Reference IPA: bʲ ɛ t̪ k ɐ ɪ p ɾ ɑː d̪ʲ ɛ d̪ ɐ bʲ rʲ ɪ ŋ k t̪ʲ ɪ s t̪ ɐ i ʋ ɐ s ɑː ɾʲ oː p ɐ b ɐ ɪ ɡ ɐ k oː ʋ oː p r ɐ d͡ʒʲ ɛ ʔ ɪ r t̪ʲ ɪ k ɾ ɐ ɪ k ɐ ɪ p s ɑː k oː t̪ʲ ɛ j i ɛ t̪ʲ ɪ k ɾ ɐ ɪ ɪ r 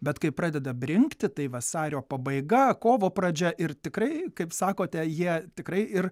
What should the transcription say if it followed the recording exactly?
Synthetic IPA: bʲ ɛ t̪ k ɐ ɪ p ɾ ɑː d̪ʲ ɛ d̪ ɐ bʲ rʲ ɪ ŋ k t̪ʲ ɪ t̪ ɐ ɪ ʋ ɐ s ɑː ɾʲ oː p ɐ b ɐ ɪ ɡ ɐ k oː ʋ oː p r ɐ d͡ʒʲ ɛ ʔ ɪ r t̪ʲ ɪ k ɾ ɐ ɪ k ɐ ɪ p s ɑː k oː t̪ʲ ɛ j i ɛ t̪ʲ ɪ k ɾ ɐ ɪ ɪ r